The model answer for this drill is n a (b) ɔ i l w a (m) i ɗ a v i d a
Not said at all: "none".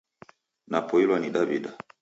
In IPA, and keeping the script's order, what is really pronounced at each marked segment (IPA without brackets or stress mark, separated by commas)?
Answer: p, n